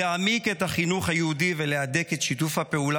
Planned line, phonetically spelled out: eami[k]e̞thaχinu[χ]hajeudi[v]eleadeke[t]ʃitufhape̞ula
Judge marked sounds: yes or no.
yes, yes, yes, yes

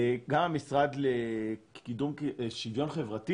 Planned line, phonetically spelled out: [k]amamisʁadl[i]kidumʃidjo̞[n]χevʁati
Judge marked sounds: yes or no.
no, no, yes

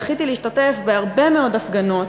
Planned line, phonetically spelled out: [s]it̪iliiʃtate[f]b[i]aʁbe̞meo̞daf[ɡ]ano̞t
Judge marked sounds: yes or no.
no, yes, no, yes

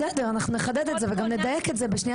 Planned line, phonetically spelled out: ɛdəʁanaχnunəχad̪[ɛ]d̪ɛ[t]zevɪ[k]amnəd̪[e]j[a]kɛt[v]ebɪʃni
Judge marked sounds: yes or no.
yes, yes, no, no, no, no

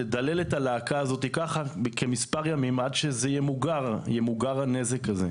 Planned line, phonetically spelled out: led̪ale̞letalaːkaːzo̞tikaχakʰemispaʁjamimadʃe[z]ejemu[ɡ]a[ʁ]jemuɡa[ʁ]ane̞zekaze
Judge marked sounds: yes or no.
yes, yes, yes, yes

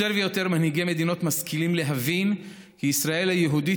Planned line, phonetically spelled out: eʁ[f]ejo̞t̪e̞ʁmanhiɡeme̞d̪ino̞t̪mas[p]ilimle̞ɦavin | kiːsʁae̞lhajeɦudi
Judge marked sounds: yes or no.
no, no

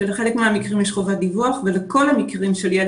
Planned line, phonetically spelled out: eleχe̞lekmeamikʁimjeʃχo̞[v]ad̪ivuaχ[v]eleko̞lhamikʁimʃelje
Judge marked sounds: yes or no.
yes, yes

